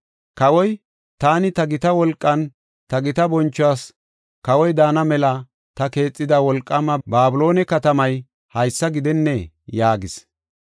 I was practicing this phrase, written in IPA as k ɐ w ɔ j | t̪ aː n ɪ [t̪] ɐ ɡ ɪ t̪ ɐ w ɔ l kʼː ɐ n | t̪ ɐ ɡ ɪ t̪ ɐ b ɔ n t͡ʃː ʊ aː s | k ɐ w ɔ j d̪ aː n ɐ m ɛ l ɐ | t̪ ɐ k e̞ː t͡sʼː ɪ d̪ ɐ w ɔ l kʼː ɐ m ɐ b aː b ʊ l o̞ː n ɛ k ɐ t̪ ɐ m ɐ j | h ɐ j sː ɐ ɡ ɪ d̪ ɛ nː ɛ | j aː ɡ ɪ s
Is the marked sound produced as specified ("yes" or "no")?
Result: yes